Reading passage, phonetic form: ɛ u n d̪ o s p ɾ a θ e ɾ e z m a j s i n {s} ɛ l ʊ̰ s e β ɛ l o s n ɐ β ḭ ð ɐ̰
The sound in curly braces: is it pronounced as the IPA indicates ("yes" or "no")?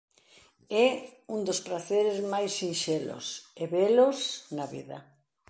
no